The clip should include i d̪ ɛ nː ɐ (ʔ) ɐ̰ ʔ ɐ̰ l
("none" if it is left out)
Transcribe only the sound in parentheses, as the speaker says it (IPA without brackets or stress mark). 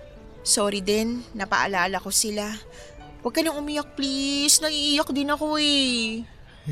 p